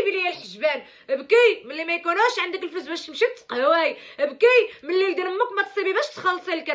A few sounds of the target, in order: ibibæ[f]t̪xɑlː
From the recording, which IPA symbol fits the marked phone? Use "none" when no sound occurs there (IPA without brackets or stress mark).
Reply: ʃ